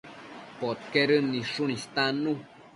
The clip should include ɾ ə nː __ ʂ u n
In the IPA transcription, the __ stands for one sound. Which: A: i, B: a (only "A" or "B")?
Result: A